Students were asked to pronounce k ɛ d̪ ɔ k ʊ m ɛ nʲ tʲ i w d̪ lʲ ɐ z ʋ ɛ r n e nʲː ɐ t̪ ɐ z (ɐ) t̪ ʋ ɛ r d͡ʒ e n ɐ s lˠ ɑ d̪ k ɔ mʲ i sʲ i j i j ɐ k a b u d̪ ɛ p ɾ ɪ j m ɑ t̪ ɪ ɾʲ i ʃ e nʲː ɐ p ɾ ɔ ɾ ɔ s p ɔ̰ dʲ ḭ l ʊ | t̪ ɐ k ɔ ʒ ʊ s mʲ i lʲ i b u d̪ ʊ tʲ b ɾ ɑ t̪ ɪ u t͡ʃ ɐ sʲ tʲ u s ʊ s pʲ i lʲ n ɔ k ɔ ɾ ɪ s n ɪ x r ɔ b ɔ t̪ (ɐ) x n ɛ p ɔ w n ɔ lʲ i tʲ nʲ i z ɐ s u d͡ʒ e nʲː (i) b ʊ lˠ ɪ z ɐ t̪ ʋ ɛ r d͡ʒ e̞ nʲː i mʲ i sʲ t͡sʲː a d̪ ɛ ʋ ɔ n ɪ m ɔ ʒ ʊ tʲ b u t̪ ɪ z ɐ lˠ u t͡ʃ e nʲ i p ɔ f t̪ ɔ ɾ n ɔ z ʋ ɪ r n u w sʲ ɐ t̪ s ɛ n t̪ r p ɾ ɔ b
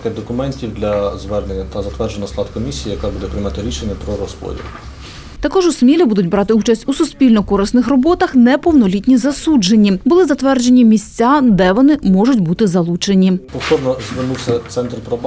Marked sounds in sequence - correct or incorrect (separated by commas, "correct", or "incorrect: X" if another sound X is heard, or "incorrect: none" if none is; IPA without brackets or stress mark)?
correct, correct, correct